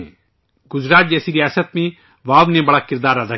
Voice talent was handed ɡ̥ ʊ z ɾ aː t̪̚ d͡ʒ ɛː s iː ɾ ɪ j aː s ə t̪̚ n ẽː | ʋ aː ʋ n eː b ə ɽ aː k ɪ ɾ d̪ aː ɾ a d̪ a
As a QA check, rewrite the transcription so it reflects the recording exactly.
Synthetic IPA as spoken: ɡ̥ ʊ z ɾ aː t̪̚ d͡ʒ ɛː s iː ɾ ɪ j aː s ə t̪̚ m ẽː | ʋ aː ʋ n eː b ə ɽ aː k ɪ ɾ d̪ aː ɾ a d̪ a